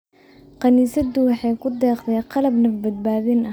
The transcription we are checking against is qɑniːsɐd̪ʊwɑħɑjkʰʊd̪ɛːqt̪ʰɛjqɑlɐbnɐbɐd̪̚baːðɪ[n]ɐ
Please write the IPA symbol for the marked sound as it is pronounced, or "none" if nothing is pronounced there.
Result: n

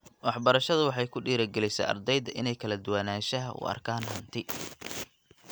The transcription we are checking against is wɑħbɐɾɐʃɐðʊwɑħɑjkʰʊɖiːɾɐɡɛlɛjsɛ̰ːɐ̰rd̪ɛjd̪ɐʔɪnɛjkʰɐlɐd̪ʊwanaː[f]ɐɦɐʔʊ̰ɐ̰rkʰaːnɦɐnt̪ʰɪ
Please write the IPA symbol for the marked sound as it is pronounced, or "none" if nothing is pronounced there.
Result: ʃ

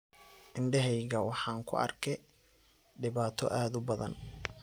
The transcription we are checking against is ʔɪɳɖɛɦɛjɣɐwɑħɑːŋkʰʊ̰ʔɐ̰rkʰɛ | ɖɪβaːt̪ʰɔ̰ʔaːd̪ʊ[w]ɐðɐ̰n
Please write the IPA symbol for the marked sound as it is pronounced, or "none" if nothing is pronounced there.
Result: b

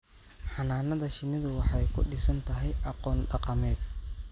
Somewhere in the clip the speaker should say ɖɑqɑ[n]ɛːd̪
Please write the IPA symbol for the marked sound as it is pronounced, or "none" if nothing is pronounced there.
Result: m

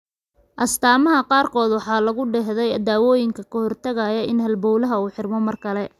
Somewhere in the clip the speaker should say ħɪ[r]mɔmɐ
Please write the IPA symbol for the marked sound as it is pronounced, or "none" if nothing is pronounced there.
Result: r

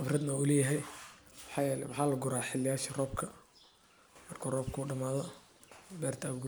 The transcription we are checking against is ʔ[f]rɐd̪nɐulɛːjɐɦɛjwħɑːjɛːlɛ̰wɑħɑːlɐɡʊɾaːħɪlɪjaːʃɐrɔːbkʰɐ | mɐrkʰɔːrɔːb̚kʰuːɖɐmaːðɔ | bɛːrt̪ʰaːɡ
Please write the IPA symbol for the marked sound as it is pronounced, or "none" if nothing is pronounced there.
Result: f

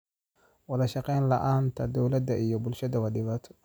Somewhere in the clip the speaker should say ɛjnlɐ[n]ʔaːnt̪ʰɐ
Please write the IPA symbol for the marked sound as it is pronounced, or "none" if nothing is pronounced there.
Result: none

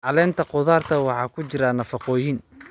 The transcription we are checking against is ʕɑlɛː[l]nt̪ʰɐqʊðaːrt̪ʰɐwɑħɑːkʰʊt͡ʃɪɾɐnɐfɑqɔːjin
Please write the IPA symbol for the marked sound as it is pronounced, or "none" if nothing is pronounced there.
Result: none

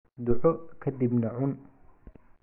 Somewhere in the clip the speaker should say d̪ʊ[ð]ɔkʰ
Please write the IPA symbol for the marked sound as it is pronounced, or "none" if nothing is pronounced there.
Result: ʕ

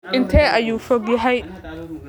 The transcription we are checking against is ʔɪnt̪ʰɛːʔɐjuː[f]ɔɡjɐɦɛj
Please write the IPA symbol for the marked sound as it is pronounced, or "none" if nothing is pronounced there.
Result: f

